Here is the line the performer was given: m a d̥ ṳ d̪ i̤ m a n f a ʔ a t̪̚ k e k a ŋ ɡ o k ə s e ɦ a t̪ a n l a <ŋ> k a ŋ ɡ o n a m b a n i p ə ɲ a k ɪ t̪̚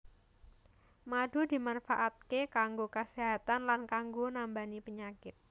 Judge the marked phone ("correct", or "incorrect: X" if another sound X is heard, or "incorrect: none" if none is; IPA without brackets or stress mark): incorrect: n